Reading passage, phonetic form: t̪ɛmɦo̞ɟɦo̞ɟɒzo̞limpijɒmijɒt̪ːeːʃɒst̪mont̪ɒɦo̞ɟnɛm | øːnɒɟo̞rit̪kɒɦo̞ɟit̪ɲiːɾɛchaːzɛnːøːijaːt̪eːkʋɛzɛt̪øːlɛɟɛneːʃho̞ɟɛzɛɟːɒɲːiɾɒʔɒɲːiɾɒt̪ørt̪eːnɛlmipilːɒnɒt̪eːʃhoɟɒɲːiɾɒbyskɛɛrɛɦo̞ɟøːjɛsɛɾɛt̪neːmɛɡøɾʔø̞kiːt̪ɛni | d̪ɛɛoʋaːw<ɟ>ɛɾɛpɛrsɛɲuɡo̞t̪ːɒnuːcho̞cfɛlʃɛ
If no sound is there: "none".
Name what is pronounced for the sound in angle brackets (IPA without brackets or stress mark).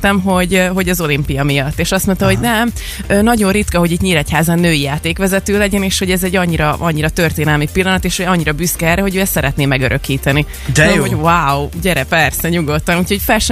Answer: ɟ